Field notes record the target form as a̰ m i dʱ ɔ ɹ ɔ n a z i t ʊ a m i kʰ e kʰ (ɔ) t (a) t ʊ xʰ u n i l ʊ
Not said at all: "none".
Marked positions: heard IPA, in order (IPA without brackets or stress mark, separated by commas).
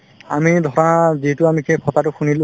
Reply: ɔ, a